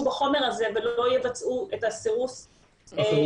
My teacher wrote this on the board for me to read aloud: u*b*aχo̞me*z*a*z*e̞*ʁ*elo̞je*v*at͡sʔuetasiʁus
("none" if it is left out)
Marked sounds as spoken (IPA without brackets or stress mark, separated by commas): b, ʁ, z, v, v